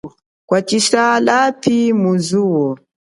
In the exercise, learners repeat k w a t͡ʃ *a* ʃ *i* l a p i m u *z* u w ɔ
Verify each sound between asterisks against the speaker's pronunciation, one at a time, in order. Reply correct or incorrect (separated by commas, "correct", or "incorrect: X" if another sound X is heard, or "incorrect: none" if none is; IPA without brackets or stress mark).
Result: incorrect: i, incorrect: a, correct